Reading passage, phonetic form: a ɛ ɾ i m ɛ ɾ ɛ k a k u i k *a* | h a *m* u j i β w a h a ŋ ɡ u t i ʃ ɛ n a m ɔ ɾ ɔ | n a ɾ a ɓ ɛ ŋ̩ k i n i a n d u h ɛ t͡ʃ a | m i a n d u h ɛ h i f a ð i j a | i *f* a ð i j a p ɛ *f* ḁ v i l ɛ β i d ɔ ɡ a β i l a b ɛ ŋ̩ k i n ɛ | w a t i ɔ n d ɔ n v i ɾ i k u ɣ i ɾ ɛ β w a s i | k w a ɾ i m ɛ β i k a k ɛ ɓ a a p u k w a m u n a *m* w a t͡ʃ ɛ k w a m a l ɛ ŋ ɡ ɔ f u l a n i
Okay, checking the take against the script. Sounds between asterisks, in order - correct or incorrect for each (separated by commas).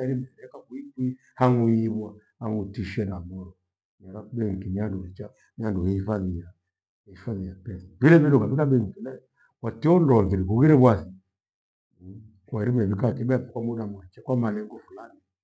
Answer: incorrect, incorrect, correct, incorrect, correct